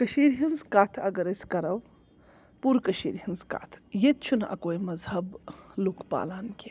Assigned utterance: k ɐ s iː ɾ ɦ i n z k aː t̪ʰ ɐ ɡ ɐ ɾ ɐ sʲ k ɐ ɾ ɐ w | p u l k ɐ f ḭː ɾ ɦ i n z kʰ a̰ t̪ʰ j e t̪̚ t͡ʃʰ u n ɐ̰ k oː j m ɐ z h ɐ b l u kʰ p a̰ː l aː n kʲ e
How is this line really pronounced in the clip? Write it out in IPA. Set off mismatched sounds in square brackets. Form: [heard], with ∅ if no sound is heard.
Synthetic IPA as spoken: k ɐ [ʃ] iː ɾ ɦ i n z k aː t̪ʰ ɐ ɡ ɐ ɾ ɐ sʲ k ɐ ɾ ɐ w | p u [ɾ] k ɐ [ʃ] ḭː ɾ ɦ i n z [k] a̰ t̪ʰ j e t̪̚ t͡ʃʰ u n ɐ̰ k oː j m ɐ z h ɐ b l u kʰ p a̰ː l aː n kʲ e

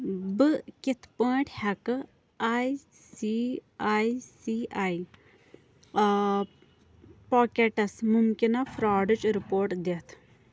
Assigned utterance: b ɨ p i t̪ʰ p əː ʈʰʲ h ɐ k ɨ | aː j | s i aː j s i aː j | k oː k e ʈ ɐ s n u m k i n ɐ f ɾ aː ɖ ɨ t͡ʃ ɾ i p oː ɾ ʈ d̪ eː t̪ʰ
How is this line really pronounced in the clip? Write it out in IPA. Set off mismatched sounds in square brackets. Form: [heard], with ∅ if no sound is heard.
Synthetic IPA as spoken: b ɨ [k] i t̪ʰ p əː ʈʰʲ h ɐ k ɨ | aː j | s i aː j s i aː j | [p] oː k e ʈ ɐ s [m] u m k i n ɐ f ɾ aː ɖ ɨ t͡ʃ ɾ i p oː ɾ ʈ d̪ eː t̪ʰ

